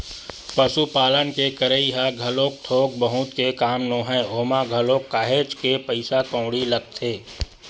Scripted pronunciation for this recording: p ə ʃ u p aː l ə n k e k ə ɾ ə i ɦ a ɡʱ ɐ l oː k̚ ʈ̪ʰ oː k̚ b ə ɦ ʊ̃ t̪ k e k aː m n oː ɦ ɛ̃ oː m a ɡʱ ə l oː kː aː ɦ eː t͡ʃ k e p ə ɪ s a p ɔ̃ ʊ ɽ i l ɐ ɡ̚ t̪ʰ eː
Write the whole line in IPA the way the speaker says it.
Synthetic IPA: p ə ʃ u p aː l ə n k e k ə ɾ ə i ɦ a ɡʱ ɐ l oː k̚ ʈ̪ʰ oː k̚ b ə ɦ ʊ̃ t̪ k e k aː m n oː ɦ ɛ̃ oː m a ɡʱ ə l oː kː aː ɦ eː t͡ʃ k e p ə ɪ s a k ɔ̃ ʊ ɽ i l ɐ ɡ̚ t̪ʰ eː